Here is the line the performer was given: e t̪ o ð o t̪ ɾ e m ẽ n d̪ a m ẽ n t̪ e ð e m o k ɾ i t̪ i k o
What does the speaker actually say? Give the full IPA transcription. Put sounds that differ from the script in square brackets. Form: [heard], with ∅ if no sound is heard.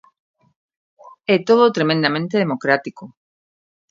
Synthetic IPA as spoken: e t̪ o ð o t̪ ɾ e m ẽ n d̪ a m ẽ n t̪ e ð e m o k ɾ [a] t̪ i k o